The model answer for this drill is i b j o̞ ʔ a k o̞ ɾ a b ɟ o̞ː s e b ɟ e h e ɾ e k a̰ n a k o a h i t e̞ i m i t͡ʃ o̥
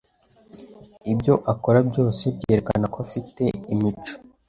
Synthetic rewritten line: i b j o̞ ʔ a k o̞ ɾ a b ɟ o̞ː s e b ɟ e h e ɾ e k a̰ n a k o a f i t e̞ i m i t͡ʃ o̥